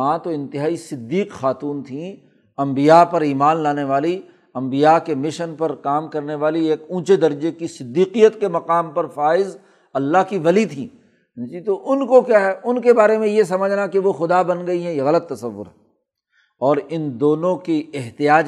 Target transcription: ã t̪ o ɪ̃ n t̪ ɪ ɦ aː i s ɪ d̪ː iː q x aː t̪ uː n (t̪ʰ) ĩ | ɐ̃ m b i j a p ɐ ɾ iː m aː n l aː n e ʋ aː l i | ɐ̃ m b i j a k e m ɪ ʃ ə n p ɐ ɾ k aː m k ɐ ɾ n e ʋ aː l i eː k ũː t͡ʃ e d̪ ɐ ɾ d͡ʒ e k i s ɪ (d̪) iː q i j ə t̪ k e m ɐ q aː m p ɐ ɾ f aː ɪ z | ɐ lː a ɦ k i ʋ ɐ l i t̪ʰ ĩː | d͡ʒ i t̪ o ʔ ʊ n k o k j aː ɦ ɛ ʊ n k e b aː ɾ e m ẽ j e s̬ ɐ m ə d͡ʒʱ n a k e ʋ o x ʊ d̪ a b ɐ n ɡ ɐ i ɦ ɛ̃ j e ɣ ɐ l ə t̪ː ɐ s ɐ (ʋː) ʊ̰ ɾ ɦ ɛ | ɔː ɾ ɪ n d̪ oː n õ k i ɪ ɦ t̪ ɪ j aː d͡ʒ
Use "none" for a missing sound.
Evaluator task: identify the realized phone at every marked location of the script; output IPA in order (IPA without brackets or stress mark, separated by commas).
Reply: t̪ʰ, d̪ː, ʋː